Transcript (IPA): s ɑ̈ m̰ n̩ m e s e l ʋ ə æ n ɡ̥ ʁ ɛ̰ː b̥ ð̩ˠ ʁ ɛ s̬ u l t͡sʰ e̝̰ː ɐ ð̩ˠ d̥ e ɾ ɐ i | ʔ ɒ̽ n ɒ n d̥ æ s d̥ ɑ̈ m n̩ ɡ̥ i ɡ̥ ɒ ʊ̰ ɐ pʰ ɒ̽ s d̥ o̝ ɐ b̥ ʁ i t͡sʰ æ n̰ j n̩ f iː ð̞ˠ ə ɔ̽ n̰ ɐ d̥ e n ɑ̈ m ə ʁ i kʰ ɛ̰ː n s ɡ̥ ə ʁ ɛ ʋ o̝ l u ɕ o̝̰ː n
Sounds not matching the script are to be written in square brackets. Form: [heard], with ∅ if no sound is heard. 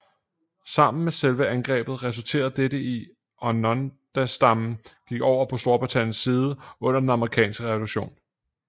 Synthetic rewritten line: s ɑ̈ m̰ n̩ m e s e l ʋ ə æ n ɡ̥ ʁ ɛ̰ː b̥ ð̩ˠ ʁ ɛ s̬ u l t͡sʰ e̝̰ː ɐ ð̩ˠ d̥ e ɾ [ə] i | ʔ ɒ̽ n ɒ n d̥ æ s d̥ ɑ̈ m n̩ ɡ̥ i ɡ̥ ɒ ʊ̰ ɐ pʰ ɒ̽ s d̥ o̝ ɐ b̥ ʁ i t͡sʰ æ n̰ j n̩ [s] iː ð̞ˠ ə ɔ̽ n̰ ɐ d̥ e n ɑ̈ m ə ʁ i kʰ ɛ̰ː n s ɡ̥ ə ʁ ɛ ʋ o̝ l u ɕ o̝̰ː n